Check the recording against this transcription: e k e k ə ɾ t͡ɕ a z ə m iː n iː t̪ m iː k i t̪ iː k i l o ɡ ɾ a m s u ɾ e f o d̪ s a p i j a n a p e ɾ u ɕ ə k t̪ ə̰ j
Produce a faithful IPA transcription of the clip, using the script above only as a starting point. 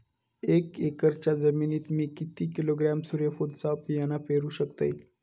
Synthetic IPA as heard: e k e k ə ɾ t͡ɕ a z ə m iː n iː t̪ m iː k i t̪ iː k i l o ɡ ɾ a m s u ɾ e f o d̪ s a p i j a n a p e ɾ u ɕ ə k t̪ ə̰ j